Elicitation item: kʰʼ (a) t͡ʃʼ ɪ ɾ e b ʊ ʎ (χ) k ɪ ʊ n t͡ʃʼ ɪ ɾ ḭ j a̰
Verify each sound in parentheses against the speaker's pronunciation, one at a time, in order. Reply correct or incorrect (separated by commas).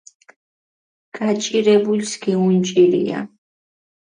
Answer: correct, incorrect